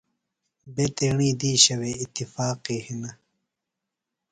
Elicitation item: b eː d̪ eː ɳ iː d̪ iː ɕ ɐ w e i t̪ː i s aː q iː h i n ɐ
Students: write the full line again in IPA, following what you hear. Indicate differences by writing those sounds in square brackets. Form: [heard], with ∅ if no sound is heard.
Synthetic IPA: b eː [t̪] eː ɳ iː d̪ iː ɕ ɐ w e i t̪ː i [f] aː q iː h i n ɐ